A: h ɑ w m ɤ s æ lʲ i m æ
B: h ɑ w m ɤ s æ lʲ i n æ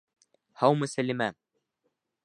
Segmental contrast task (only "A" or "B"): A